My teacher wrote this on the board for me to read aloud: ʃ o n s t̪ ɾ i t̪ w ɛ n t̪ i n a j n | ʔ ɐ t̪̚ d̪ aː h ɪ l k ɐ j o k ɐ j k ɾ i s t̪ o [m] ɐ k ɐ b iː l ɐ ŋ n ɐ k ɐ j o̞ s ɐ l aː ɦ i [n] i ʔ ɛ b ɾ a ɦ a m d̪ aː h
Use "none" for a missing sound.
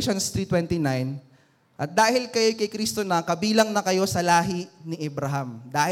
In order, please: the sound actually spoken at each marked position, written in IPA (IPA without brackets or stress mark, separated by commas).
n, n